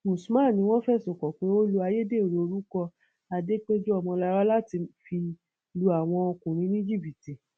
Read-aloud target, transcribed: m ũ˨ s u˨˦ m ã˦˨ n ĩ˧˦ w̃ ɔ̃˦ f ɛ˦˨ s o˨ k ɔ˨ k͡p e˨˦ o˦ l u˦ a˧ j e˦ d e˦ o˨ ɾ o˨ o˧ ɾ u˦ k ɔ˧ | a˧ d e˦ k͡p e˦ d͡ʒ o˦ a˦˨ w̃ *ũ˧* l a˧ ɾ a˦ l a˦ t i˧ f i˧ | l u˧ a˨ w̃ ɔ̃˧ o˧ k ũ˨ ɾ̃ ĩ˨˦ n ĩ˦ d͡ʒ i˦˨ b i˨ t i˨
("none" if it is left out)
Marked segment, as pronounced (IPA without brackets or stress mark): ɔ̃˧